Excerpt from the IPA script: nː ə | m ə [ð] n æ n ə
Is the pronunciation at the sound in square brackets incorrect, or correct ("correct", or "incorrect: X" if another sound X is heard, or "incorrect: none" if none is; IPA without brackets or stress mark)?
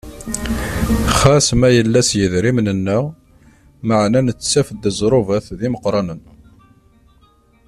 incorrect: ʕ